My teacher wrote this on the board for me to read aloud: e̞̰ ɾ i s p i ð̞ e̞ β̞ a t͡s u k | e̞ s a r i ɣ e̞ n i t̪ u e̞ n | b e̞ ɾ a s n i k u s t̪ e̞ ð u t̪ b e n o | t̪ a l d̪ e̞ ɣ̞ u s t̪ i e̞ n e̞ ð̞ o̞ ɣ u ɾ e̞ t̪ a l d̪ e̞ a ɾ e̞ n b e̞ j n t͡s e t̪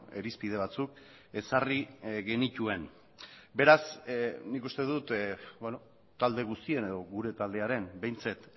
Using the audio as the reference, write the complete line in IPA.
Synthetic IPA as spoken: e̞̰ ɾ i s p i ð̞ e̞ β̞ a t͡s u k | e̞ s a r i ɣ e̞ n i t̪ u e̞ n | b e̞ ɾ a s n i k u s t̪ e̞ ð u t̪ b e n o | t̪ a l d̪ e̞ ɣ̞ u s t̪ i e̞ n e̞ ð̞ o̞ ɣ u ɾ e̞ t̪ a l d̪ e̞ a ɾ e̞ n b e̞ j n t͡s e t̪